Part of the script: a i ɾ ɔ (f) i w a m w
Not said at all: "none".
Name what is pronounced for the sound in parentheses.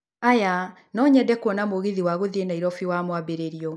f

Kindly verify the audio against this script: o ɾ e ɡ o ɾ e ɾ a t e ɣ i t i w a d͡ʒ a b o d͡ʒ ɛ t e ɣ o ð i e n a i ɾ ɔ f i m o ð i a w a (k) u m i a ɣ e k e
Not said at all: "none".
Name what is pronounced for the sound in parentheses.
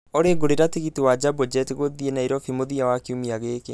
k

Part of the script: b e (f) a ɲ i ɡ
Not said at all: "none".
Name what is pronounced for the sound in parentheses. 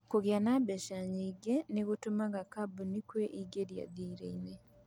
ʃ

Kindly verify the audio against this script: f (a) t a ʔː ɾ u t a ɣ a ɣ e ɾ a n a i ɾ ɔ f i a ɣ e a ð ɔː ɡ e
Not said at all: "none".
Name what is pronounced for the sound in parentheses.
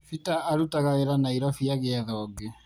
i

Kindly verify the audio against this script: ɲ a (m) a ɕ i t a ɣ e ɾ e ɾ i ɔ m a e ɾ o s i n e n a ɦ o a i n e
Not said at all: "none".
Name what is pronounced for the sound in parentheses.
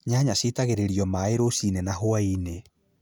ɲ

